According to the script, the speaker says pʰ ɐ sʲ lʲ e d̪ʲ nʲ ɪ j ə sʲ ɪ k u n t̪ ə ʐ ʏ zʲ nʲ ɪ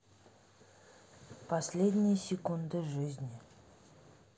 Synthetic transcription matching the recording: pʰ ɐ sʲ lʲ e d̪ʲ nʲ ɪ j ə sʲ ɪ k u n d̪ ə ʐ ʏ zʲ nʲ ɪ